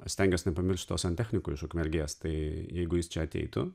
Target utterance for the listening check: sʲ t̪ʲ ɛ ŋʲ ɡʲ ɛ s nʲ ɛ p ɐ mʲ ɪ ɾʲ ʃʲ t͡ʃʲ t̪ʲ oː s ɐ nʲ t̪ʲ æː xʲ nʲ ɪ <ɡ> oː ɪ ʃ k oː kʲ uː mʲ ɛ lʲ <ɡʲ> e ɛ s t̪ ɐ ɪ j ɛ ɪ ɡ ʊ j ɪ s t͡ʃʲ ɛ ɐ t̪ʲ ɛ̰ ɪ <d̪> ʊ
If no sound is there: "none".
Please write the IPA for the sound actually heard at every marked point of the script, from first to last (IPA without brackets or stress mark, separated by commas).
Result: k, ɡʲ, t̪